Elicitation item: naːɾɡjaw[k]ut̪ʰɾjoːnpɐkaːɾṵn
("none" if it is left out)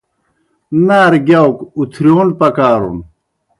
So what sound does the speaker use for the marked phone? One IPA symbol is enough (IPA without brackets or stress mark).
k